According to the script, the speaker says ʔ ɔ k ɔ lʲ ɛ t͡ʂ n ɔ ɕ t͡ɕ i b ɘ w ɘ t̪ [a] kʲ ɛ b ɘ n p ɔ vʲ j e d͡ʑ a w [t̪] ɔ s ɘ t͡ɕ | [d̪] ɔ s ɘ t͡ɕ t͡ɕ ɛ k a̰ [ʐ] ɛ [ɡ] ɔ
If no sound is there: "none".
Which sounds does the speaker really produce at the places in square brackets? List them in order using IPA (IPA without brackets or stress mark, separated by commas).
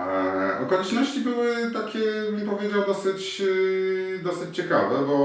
a, d̪, d̪, v, b